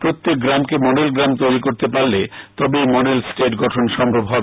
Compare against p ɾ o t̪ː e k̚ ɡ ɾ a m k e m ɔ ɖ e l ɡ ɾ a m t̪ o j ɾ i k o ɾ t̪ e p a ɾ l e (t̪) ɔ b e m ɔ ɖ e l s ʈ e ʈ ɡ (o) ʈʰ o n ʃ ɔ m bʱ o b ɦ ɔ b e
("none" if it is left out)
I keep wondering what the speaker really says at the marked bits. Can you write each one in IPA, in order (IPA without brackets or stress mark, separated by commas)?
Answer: t̪, ɔ